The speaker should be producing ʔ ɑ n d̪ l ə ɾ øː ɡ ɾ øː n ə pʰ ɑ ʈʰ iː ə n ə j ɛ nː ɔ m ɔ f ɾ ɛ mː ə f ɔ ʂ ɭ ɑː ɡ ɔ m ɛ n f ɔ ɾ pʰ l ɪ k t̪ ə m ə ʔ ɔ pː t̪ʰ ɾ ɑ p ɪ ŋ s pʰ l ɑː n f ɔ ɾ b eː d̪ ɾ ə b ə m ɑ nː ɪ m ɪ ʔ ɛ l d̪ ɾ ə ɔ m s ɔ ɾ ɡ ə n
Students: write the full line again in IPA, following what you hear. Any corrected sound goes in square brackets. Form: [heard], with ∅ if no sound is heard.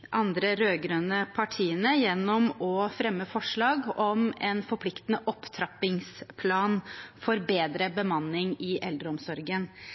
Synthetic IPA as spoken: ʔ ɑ n d̪ [ɾ] ə ɾ øː ɡ ɾ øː n ə pʰ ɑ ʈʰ iː ə n ə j ɛ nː ɔ m ɔ f ɾ ɛ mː ə f ɔ ʂ ɭ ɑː ɡ ɔ m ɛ n f ɔ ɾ pʰ l ɪ k t̪ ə [n] ə ʔ ɔ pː t̪ʰ ɾ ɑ p ɪ ŋ s pʰ l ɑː n f ɔ ɾ b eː d̪ ɾ ə b ə m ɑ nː ɪ [ŋ] ɪ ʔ ɛ l d̪ ɾ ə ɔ m s ɔ ɾ ɡ ə n